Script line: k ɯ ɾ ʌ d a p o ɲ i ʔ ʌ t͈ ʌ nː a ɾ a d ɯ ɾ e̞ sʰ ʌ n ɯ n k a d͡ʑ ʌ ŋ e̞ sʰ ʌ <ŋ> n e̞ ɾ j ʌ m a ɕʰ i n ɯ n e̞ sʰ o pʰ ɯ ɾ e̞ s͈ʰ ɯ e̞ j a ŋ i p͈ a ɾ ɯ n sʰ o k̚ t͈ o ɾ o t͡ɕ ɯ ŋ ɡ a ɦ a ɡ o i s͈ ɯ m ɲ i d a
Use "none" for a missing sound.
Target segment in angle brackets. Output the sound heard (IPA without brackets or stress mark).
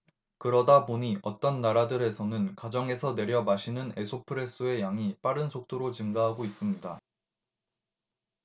none